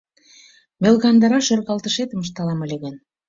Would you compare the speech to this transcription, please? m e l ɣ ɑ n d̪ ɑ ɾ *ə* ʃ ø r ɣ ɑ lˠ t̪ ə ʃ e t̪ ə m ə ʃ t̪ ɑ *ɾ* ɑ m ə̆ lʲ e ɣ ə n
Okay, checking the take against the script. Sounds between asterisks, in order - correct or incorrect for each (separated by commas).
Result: incorrect, incorrect